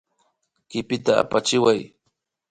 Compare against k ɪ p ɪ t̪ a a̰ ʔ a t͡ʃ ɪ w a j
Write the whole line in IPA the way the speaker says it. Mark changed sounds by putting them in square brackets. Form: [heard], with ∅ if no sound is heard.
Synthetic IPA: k ɪ p ɪ t̪ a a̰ [p] a t͡ʃ ɪ w a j